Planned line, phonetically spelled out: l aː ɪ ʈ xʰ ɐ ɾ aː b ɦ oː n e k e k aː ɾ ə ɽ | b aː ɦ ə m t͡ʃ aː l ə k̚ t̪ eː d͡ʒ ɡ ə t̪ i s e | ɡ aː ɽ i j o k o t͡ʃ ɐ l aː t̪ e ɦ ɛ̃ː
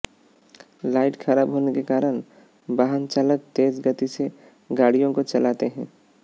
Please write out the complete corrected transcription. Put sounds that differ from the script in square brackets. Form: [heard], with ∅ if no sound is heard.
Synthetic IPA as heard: l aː ɪ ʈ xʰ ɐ ɾ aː b ɦ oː n e k e k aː ɾ ə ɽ | b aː ɦ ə [n] t͡ʃ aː l ə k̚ t̪ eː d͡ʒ ɡ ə t̪ i s e | ɡ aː ɽ i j [õ] k o t͡ʃ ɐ l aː t̪ e ɦ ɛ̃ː